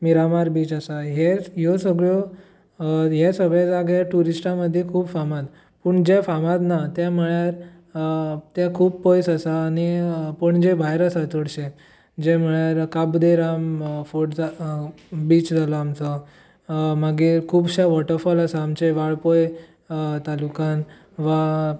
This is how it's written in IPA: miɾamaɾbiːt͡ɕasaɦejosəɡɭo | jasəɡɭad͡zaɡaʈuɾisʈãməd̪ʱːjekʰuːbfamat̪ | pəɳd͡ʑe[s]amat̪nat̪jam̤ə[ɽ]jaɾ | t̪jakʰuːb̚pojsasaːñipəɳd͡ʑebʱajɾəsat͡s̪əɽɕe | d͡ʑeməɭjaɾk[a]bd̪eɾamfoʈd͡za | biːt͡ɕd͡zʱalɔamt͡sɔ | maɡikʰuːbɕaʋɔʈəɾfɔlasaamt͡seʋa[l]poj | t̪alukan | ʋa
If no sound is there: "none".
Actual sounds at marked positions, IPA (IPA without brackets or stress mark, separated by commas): f, ɭ, a, ɭ